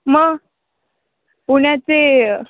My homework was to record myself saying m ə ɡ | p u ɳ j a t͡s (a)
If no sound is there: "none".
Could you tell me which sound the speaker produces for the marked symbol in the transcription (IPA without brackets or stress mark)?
e